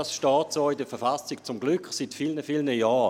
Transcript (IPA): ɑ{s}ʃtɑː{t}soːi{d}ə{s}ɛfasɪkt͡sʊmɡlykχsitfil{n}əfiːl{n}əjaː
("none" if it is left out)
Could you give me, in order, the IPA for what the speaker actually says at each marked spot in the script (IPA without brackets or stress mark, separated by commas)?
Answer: s, t, d, f, n, n